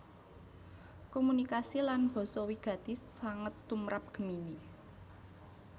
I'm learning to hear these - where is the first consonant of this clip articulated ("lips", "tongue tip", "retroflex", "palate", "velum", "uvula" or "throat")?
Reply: velum